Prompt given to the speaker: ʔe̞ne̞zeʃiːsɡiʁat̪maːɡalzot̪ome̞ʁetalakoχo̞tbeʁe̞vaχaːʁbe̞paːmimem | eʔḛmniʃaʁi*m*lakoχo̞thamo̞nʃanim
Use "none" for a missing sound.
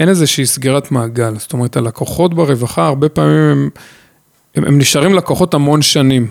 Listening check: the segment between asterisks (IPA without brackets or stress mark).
m